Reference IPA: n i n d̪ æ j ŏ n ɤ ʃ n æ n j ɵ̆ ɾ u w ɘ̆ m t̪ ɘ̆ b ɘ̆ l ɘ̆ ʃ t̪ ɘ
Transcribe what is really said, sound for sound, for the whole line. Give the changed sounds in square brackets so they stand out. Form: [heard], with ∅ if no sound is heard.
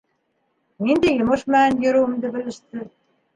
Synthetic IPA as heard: n i n d̪ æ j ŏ [m] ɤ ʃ [m] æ n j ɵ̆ ɾ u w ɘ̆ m [d̪] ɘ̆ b ɘ̆ l ɘ̆ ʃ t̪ ɘ